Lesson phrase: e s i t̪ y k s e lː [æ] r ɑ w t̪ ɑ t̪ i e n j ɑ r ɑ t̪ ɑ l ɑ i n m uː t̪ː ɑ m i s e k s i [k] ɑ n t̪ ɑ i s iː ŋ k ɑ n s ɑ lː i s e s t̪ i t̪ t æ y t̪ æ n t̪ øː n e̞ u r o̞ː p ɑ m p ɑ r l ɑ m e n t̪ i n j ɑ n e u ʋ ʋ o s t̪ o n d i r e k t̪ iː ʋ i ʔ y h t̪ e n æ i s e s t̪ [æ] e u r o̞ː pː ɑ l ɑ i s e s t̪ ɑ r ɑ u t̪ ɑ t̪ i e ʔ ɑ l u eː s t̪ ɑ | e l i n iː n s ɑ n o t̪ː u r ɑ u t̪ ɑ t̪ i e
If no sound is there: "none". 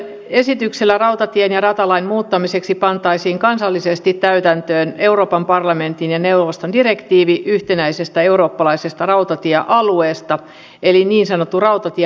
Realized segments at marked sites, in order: æ, p, æ

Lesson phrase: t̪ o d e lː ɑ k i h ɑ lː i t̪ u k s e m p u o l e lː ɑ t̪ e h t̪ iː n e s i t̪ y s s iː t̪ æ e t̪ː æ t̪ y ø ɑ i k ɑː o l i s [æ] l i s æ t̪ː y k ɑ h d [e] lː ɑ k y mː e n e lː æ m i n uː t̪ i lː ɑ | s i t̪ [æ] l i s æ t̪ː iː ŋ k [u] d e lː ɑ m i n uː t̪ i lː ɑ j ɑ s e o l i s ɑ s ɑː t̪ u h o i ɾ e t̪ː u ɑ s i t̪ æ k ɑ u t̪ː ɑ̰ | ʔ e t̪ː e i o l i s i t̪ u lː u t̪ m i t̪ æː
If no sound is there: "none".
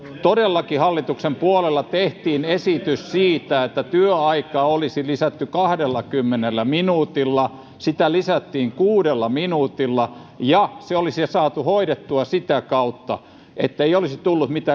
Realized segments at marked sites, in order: i, e, æ, uː

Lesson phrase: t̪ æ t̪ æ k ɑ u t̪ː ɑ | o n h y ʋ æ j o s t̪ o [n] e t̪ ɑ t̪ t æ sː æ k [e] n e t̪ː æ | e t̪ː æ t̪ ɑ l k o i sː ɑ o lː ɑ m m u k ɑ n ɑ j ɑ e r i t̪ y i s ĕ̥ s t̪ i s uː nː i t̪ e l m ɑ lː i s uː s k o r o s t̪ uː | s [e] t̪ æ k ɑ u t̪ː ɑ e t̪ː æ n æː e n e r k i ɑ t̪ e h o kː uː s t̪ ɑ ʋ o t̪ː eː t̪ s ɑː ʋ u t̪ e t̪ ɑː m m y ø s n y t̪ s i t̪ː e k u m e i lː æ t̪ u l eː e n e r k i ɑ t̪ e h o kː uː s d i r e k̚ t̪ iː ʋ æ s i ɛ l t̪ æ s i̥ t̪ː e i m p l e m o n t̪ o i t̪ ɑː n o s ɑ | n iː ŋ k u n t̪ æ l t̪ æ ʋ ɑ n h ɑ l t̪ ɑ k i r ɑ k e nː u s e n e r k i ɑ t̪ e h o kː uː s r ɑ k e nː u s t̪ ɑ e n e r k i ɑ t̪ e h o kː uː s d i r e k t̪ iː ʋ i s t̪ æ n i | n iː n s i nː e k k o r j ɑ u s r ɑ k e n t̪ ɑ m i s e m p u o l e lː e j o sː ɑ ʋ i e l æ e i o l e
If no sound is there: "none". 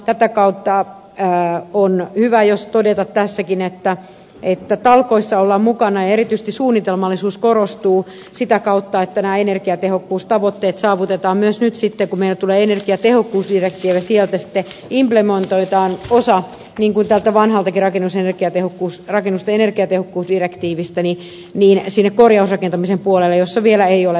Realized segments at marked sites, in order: d, i, i

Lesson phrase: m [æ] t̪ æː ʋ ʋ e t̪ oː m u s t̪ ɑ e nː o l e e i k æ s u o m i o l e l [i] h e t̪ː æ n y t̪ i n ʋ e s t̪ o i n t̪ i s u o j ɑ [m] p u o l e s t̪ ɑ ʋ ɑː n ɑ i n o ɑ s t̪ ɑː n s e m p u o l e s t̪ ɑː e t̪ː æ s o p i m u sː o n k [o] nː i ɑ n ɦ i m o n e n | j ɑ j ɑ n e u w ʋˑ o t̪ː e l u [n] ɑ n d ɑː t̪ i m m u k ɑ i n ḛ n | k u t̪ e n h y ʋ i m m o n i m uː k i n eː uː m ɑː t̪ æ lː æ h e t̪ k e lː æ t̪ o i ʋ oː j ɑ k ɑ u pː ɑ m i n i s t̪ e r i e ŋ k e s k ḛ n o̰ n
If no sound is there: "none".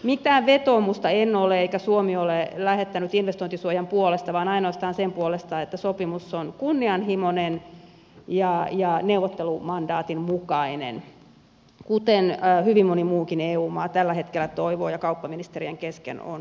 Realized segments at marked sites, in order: i, æ, m, u, m

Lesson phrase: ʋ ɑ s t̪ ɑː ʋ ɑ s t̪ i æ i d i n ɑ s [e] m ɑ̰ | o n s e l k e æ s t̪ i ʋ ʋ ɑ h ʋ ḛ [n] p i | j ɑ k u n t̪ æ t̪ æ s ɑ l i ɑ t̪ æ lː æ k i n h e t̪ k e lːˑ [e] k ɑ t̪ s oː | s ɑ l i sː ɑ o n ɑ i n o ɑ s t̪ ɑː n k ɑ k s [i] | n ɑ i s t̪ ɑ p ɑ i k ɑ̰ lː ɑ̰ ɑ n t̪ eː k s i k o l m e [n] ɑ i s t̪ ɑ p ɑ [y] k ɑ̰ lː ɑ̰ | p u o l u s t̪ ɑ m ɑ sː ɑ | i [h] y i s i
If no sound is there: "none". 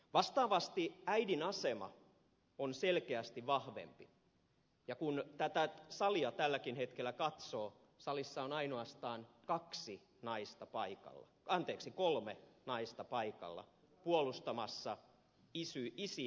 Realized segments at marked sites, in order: e, m, æ, i, n, i, s

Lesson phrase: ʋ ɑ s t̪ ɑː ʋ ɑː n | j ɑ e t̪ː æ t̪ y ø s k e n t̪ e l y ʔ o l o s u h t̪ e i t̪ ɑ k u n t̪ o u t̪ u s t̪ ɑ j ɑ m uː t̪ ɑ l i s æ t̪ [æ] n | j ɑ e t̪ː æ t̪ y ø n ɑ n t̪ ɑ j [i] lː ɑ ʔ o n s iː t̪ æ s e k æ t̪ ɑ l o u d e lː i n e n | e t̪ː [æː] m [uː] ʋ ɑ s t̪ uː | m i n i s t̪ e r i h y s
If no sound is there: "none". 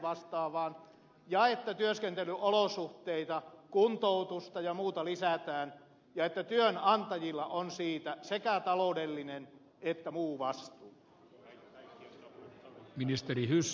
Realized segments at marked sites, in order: æː, i, æ, uː

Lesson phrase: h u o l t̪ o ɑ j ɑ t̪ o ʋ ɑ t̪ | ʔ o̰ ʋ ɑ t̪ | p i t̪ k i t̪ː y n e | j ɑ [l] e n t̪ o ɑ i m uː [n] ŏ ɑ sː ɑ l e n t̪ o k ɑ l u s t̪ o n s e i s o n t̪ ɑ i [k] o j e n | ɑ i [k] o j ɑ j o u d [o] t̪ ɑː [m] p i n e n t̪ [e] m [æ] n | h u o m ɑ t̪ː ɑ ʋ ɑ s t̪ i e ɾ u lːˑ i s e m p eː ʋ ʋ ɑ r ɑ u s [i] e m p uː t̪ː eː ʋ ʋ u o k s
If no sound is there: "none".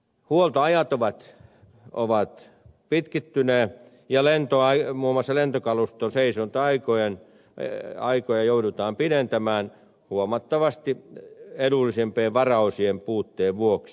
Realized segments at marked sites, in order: l, m, k, k, u, m, æ, æː, i

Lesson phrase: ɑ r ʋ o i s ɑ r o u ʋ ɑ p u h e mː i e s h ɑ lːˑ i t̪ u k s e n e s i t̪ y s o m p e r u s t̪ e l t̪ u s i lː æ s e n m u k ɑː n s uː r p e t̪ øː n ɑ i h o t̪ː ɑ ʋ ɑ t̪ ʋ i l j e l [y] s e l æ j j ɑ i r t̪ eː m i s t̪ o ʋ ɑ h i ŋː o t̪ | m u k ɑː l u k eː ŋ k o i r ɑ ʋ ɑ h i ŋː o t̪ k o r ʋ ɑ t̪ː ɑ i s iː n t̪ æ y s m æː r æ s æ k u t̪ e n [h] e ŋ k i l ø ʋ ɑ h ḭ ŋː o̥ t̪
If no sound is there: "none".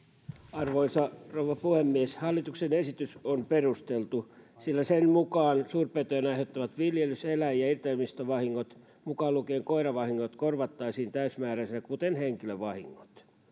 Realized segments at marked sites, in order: y, h

